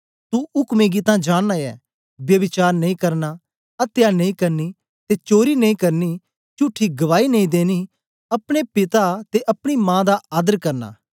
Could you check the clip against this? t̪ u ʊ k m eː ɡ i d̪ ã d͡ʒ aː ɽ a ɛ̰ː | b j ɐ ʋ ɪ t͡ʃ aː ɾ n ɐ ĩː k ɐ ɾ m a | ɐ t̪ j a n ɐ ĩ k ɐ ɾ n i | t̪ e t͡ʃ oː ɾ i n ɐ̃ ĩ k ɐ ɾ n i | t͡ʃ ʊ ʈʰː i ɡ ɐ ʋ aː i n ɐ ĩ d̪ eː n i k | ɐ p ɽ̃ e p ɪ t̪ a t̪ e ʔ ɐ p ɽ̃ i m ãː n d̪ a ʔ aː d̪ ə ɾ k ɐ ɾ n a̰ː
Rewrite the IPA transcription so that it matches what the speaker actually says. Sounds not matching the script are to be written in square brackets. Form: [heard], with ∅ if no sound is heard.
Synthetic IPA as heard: t̪ u ʊ k m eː ɡ i [t̪] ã d͡ʒ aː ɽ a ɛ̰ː | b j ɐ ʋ ɪ t͡ʃ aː ɾ n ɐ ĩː k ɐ ɾ [n] a | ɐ t̪ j a n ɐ ĩ k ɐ ɾ n i | t̪ e t͡ʃ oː ɾ i n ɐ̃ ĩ k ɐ ɾ n i | t͡ʃ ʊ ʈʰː i ɡ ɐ ʋ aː i n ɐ ĩ d̪ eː n i [∅] | ɐ p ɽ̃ e p ɪ t̪ a t̪ e ʔ ɐ p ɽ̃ i m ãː [∅] d̪ a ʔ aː d̪ ə ɾ k ɐ ɾ n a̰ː